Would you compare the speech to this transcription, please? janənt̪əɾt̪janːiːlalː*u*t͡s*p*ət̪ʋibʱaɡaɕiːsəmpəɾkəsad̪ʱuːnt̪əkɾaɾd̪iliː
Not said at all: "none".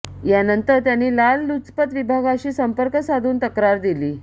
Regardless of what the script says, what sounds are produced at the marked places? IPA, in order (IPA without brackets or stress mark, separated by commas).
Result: u, p